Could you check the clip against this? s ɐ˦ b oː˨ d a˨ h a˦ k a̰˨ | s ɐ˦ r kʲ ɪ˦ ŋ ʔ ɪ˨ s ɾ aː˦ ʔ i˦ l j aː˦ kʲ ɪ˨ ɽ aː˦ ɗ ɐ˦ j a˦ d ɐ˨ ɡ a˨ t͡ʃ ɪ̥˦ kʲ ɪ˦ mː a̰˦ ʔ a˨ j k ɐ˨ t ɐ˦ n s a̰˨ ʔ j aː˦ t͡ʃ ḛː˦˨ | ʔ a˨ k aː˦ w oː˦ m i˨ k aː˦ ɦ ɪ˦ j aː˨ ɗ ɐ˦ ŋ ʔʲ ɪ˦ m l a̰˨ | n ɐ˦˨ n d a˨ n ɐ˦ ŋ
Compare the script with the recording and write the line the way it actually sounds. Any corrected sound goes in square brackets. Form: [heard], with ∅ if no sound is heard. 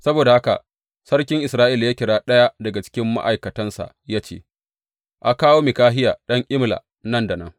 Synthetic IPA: s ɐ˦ b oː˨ d a˨ h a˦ k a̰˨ | s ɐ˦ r kʲ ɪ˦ ŋ ʔ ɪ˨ s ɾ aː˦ ʔ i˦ l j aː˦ kʲ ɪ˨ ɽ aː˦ ɗ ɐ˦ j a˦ d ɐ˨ ɡ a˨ t͡ʃ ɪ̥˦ kʲ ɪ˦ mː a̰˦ ʔ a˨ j k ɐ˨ t ɐ˦ n s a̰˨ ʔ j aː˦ t͡ʃ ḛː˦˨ | ʔ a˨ k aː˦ w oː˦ m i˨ k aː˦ ɦ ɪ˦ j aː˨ ɗ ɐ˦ ŋ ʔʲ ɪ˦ m l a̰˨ | n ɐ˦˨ n d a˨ n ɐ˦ ŋ